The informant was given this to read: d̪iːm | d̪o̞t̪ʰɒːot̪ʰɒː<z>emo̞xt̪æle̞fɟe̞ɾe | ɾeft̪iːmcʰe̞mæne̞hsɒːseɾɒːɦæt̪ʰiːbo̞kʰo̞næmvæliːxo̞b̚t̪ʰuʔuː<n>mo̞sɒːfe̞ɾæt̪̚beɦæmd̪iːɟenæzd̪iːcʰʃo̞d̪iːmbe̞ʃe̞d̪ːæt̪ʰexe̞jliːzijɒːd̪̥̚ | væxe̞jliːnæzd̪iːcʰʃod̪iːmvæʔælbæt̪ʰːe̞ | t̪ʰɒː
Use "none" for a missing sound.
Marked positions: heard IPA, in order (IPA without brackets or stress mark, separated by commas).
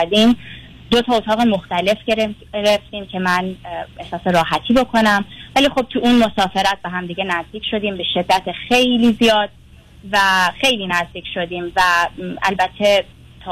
ɣ, n